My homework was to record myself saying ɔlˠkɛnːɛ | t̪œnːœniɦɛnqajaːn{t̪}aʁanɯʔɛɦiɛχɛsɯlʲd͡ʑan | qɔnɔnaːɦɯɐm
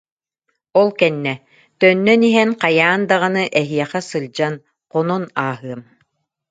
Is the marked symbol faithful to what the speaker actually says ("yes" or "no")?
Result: no